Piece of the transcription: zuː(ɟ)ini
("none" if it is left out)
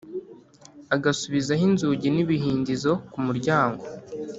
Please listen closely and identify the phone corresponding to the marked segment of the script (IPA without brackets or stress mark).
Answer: ɟ